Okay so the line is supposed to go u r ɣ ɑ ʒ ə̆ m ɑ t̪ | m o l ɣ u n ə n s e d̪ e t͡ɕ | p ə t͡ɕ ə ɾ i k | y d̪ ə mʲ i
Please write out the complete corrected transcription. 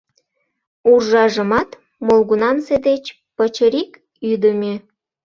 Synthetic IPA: u r ʒ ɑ ʒ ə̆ m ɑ t̪ | m o l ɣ u n ɑ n s e d̪ e t͡ɕ | p ə t͡ɕ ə ɾ i k | y d̪ ə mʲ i